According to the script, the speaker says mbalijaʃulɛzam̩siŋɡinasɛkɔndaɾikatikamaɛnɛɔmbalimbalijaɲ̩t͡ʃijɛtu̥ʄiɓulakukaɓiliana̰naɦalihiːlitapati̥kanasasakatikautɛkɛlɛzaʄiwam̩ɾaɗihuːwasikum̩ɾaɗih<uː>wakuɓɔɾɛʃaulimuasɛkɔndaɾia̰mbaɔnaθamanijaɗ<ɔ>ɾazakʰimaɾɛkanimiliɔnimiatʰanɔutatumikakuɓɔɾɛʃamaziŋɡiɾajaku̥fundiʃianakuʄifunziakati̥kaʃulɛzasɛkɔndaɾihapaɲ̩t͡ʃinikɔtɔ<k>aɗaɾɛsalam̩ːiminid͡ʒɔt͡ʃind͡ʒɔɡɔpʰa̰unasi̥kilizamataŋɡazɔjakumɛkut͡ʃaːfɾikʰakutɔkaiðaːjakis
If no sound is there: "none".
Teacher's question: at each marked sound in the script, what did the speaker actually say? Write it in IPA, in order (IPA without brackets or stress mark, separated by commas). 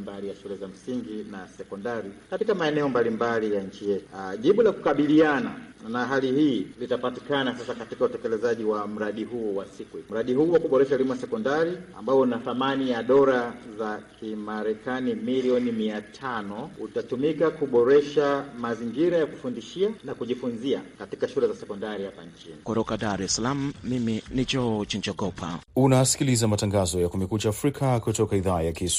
uː, ɔ, k